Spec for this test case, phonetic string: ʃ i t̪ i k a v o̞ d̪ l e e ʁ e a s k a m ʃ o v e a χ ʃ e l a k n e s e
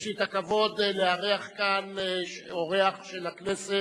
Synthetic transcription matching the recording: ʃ i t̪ a k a v o̞ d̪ l e a ʁ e a χ k a n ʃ o ʁ e a χ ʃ e l a k n e s e